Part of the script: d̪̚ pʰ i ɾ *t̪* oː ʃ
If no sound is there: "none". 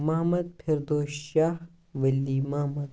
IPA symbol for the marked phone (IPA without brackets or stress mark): d̪